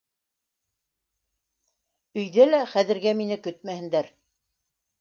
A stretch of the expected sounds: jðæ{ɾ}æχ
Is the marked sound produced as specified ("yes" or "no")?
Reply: no